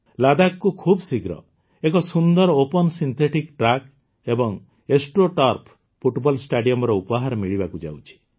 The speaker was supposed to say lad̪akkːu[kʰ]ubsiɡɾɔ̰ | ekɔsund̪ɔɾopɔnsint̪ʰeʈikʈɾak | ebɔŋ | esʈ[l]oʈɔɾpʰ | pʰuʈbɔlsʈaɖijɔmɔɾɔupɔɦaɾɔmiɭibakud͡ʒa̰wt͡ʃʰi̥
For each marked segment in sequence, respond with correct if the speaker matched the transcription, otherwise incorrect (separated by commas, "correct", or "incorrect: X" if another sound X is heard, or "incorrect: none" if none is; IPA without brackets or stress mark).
correct, incorrect: ɾ